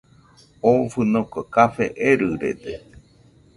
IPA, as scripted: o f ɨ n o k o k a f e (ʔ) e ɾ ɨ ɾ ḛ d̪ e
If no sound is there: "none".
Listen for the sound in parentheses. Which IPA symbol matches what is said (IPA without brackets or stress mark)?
ʔ